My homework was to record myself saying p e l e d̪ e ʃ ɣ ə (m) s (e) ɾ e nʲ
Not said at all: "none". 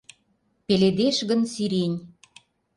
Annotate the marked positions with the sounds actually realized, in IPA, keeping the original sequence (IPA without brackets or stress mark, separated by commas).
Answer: n, i